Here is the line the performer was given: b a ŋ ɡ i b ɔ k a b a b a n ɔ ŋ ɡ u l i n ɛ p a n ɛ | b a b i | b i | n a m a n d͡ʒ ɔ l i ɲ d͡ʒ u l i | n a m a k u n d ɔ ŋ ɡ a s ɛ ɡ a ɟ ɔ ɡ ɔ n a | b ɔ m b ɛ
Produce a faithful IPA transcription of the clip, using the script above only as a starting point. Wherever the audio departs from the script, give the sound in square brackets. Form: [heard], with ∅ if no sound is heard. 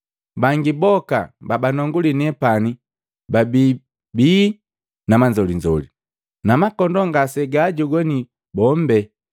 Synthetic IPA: b a ŋ ɡ i b ɔ k a b a b a n ɔ ŋ ɡ u l i n ɛ p a n [i] | b a b i | b i | n a m a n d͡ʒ ɔ l i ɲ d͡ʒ [ɔ] l i | n a m a k [ɔ] n d ɔ ŋ ɡ a s ɛ ɡ a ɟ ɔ ɡ ɔ n [i] | b ɔ m b ɛ

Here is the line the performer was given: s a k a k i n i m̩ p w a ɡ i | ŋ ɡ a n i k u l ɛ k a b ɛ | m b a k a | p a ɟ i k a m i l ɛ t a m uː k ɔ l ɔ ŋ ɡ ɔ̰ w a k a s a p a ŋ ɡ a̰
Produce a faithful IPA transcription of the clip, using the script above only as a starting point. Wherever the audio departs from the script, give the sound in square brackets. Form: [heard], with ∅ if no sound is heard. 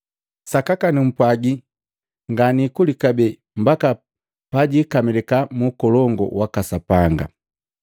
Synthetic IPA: s a k a k [a] n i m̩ p w a ɡ i | ŋ ɡ a n i k u l [i] k a b ɛ | m b a k a | p a ɟ i k a m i l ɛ [k] a m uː k ɔ l ɔ ŋ ɡ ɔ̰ w a k a s a p a ŋ ɡ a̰

